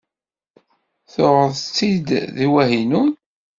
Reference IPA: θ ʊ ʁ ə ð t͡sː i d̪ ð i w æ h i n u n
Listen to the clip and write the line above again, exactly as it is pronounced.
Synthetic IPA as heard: θ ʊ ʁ ə ð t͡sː i d̪ ð i w æ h i n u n